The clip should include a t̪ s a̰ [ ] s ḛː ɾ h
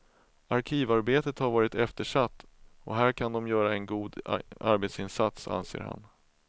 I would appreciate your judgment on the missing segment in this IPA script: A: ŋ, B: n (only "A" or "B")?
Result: B